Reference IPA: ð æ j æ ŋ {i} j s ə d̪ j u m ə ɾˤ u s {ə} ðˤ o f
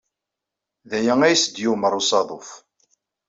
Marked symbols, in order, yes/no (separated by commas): no, no